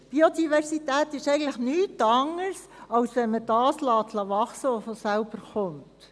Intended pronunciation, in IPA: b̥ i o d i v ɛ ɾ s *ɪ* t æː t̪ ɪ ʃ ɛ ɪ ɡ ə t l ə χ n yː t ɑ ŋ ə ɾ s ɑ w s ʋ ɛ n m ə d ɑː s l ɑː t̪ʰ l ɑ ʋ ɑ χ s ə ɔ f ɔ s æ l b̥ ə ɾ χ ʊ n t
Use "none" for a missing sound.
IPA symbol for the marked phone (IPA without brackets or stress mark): i